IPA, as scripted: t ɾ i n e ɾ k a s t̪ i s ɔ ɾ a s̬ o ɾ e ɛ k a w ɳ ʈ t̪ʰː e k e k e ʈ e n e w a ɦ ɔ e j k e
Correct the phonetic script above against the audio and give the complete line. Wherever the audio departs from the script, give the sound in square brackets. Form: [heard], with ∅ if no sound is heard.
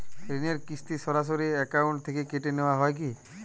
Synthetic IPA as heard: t ɾ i n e ɾ k [i] s t̪ i s ɔ ɾ a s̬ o ɾ [i] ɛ k a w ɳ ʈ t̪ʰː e k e k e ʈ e n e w a ɦ ɔ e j k [i]

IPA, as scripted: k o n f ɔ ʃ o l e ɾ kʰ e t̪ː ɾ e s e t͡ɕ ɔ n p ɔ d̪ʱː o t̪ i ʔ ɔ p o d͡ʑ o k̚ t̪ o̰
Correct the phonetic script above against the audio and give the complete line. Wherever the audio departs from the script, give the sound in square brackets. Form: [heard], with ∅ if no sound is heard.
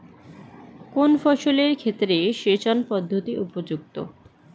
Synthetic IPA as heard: k o n f ɔ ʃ o l e ɾ kʰ e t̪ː ɾ e [ʃ] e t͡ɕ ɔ n p ɔ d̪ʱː o t̪ i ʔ [u] p o d͡ʑ [u] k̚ t̪ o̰

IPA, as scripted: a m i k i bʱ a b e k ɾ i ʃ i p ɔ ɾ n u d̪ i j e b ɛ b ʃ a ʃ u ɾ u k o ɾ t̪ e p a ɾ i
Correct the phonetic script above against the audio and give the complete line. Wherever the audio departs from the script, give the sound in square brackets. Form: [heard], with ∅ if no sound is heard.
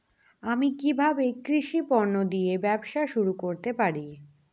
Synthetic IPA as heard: a m i k i bʱ a b e k ɾ i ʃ i p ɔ ɾ n [o] d̪ i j e b ɛ b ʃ a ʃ u ɾ u k o ɾ t̪ e p a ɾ i

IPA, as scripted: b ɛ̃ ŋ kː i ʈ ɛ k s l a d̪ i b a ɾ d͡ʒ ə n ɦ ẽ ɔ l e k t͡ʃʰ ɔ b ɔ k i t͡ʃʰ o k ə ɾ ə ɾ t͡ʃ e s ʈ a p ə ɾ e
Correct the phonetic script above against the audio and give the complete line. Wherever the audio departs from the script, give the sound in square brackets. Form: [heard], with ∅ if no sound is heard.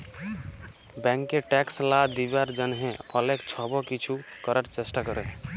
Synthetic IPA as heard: b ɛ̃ ŋ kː [e] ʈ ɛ k s l a d̪ i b a ɾ d͡ʒ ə n ɦ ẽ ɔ l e k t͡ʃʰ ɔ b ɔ k i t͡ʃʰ [u] k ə ɾ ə ɾ t͡ʃ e s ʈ a [k] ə ɾ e

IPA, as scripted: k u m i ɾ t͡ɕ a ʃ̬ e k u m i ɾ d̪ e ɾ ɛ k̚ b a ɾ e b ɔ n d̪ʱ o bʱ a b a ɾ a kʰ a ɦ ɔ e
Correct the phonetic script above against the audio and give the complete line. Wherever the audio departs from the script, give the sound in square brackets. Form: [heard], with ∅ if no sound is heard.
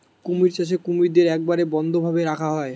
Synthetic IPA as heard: k u m i ɾ t͡ɕ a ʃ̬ e k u m i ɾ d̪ e ɾ ɛ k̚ b a ɾ e b ɔ n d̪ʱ o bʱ a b [e] ɾ a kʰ a ɦ ɔ e

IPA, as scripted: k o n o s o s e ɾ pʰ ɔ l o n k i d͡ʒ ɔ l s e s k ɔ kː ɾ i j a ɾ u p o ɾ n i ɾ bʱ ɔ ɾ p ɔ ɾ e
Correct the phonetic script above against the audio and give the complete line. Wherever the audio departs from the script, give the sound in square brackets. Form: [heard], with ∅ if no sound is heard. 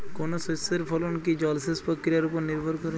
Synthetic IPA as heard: k o n o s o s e ɾ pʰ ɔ l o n k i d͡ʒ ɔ l s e s [p] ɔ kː ɾ i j a ɾ u p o ɾ n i ɾ bʱ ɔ ɾ [k] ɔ ɾ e

